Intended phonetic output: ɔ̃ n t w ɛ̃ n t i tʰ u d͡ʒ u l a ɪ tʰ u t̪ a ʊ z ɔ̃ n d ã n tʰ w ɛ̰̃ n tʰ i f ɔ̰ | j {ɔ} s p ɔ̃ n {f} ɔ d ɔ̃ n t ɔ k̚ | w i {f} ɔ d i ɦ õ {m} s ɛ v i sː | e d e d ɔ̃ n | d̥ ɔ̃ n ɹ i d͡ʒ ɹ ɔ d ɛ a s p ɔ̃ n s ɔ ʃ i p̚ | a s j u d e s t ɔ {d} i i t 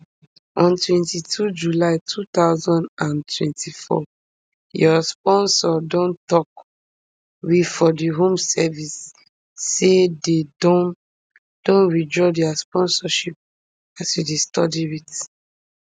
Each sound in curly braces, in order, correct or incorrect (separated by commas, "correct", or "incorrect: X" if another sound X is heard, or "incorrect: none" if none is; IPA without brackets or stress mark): correct, incorrect: s, correct, correct, correct